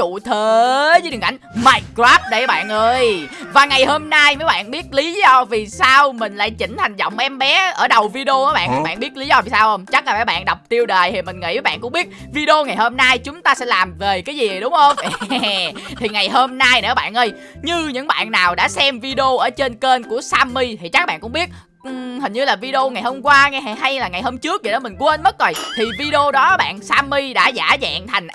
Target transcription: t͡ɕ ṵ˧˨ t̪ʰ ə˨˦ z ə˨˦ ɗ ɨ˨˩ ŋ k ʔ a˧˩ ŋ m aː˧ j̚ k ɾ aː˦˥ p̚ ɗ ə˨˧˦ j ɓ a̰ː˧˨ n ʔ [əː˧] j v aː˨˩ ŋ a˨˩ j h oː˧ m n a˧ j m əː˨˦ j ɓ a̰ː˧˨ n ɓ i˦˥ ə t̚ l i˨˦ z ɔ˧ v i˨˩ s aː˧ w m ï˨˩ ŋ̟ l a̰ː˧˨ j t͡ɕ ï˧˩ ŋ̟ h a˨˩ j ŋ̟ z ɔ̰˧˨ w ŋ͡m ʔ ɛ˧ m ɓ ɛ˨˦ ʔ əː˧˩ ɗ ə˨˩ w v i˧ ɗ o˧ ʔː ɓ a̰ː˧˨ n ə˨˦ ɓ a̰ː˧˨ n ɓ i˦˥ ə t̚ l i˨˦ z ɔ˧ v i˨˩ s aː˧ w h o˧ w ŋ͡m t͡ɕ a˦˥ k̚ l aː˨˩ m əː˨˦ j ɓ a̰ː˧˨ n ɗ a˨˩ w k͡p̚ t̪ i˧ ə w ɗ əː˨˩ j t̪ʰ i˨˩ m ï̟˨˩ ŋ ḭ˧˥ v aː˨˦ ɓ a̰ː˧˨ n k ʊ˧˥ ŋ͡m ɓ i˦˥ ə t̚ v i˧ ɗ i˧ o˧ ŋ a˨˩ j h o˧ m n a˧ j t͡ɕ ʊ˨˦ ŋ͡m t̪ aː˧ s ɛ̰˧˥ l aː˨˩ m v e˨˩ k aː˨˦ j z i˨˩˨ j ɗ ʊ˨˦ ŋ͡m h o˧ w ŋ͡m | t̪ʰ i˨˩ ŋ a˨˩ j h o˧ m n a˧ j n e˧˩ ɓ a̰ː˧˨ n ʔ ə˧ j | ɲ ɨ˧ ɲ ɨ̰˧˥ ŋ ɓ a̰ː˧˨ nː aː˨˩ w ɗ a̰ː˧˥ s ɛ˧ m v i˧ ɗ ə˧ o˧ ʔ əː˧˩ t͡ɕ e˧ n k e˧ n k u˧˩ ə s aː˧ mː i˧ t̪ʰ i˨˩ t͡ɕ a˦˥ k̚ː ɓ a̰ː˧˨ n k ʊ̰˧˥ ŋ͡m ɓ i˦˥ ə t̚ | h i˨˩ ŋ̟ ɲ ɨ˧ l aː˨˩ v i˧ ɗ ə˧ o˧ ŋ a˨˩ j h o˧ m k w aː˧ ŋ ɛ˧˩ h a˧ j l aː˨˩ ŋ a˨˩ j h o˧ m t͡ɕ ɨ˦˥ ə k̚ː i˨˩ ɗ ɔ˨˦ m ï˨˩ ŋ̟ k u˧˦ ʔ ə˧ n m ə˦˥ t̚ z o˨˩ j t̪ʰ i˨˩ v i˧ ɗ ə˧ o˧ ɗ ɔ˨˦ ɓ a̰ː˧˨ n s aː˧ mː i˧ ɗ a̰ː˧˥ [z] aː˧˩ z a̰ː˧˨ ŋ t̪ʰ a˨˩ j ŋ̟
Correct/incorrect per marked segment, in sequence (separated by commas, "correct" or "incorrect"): correct, correct